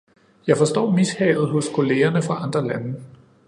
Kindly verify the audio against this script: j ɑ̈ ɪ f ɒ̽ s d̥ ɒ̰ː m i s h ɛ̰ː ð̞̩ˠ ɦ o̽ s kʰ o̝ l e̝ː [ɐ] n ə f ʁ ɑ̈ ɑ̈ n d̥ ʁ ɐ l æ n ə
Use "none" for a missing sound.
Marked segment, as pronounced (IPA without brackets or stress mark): ɐ